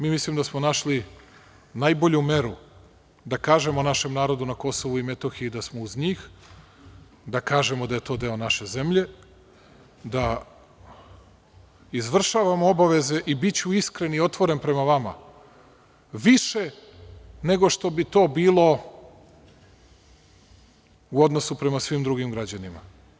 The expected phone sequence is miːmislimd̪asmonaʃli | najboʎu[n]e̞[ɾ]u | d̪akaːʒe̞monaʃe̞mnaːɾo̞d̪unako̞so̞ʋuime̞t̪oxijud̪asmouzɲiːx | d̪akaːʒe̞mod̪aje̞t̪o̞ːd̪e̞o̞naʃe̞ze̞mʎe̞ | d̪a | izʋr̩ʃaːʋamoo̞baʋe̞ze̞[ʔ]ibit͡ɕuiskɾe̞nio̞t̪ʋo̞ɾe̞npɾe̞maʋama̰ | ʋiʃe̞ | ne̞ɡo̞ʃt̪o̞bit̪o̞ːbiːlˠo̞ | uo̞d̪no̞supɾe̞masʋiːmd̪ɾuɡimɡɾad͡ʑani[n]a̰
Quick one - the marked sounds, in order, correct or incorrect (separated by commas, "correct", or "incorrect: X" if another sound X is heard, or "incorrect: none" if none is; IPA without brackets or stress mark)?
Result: incorrect: m, correct, correct, incorrect: m